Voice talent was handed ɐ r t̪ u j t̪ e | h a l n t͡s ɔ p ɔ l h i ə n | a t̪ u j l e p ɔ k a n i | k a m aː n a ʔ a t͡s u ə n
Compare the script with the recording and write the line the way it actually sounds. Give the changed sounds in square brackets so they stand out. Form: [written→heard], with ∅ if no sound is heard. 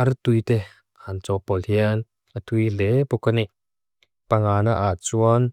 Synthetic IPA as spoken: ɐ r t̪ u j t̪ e | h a [l→∅] n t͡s ɔ p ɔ l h i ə n | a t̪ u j l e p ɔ k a n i | [k→p] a [m→ŋ] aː n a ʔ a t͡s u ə n